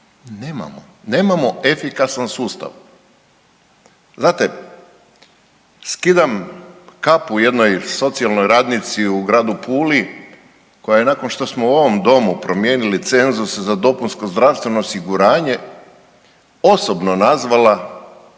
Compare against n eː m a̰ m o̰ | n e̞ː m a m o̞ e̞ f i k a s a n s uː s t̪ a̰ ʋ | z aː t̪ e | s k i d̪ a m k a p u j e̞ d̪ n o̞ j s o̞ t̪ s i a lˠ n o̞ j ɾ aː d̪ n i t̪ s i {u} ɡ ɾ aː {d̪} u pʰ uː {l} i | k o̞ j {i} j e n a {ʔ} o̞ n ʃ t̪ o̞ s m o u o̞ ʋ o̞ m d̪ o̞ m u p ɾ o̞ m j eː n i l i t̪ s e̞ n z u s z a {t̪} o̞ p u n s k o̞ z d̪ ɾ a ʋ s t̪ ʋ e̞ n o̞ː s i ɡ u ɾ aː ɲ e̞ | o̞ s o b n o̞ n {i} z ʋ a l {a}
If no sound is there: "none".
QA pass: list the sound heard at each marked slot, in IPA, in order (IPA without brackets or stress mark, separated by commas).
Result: u, d̪, l, a, k, d̪, a, a